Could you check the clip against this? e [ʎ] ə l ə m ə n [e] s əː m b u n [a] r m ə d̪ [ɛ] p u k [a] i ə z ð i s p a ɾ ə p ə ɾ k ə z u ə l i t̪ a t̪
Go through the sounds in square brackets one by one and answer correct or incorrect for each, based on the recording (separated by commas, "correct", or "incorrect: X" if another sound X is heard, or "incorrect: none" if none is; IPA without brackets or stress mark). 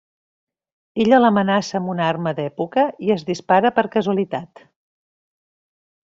correct, incorrect: a, correct, correct, incorrect: ə